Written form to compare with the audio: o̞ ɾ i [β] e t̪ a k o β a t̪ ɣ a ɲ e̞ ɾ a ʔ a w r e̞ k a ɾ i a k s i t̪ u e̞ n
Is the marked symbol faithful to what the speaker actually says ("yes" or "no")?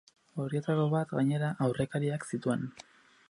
no